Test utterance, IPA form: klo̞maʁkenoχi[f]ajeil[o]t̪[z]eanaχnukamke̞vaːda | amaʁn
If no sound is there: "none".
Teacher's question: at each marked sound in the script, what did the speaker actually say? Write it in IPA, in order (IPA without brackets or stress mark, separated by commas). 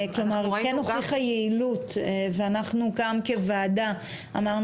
χ, u, v